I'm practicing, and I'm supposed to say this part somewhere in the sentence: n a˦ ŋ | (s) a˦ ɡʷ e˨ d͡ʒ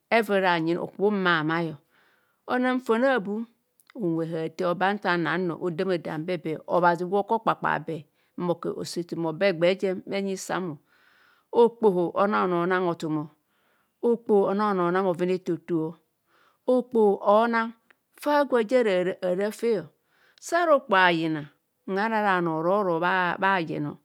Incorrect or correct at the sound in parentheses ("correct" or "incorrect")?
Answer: incorrect